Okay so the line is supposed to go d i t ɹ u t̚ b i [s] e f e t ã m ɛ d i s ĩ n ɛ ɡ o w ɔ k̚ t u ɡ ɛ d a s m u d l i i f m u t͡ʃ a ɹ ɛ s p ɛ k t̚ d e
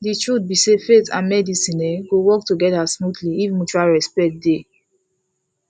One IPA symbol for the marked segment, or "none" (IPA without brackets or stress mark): s